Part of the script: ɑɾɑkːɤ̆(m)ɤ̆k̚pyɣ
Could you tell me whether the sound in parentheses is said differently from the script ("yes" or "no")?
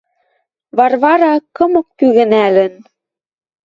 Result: no